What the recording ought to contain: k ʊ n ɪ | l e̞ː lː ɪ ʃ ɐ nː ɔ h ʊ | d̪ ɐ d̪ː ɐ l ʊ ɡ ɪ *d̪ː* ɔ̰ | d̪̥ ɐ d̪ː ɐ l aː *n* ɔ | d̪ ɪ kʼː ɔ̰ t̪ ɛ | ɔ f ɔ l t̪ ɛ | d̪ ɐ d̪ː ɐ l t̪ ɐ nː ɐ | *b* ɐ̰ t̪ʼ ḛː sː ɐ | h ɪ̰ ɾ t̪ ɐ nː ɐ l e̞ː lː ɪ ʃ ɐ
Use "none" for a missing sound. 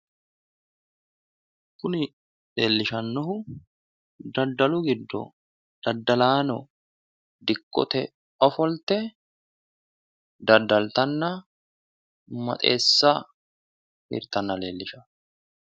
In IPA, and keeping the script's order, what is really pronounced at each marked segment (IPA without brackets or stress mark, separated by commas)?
d̪ː, n, m